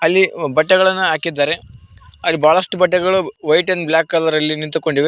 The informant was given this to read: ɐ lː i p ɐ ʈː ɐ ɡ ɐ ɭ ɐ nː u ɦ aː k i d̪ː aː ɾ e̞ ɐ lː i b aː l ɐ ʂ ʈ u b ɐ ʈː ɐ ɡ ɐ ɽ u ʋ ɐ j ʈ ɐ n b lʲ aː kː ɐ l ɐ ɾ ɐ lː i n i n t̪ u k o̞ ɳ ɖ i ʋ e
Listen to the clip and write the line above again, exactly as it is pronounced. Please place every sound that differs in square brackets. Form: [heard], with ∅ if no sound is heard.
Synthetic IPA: ɐ lː i [b] ɐ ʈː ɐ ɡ ɐ ɭ ɐ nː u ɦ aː k i d̪ː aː ɾ e̞ ɐ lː i b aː [ɭ] ɐ ʂ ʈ u b ɐ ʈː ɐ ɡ ɐ [ɭ] u ʋ ɐ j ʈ ɐ n b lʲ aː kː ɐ l ɐ ɾ ɐ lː i n i n t̪ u k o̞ ɳ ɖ i ʋ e